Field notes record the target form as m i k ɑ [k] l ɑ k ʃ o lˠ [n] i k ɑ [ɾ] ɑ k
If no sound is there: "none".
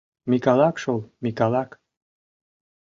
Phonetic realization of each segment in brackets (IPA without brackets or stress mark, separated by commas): none, m, l